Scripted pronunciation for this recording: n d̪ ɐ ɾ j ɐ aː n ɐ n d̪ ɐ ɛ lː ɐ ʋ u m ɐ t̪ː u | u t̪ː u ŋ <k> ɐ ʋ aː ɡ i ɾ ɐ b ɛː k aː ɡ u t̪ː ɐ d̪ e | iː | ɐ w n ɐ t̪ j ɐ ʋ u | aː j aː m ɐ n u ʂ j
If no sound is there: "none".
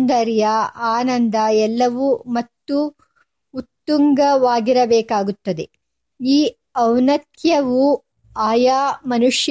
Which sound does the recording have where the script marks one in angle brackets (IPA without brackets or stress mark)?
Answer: ɡ